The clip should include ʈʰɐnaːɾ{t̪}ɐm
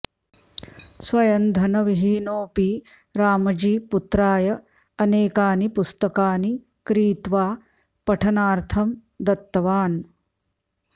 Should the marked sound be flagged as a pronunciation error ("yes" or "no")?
yes